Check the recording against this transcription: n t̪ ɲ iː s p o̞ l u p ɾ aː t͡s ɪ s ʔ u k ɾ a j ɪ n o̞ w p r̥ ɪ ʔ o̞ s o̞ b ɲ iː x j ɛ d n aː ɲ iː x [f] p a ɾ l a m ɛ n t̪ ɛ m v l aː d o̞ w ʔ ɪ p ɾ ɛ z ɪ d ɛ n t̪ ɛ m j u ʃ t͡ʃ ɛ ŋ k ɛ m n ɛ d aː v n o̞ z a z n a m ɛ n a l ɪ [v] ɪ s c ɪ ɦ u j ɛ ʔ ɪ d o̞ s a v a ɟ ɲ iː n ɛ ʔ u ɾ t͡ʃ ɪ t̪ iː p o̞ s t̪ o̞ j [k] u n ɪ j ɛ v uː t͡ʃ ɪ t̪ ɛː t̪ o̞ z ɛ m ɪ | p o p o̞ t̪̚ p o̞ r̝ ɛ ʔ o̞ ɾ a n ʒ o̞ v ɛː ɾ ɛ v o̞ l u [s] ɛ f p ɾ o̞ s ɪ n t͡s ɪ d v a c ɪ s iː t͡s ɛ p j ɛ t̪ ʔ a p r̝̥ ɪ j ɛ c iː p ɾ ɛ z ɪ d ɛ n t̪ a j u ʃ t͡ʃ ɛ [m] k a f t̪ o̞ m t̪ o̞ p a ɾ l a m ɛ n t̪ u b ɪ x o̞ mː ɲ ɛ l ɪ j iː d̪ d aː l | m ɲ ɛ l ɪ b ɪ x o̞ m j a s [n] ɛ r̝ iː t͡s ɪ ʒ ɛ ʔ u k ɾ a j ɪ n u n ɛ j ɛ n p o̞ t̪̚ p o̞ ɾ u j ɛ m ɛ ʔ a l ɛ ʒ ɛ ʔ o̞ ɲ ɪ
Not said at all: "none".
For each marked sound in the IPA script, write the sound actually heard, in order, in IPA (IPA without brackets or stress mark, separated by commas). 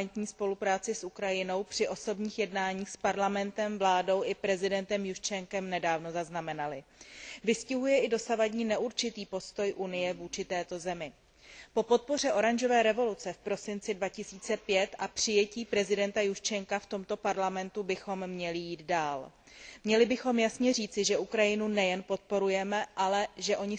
s, v, ʔ, t͡s, ŋ, ɲ